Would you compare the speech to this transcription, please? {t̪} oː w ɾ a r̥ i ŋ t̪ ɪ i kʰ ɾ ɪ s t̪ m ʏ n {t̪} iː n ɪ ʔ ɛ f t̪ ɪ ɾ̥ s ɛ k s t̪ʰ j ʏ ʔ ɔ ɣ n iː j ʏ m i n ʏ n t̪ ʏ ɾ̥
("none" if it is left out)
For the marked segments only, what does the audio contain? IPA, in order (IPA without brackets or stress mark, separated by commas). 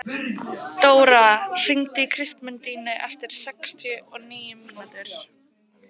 t̪, t̪